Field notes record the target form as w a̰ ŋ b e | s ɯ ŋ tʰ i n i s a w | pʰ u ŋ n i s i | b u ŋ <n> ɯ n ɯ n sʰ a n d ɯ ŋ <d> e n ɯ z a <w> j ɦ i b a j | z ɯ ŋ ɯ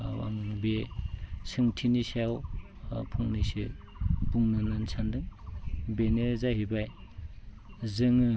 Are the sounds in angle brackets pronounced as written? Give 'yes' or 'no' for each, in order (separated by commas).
yes, no, no